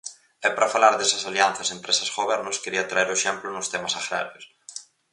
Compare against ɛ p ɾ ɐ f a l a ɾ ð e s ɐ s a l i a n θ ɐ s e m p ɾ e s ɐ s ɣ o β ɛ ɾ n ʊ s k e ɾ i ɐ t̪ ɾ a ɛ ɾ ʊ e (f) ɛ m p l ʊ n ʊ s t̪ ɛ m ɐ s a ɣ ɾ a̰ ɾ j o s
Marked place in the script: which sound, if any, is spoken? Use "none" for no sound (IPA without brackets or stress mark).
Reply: ʃ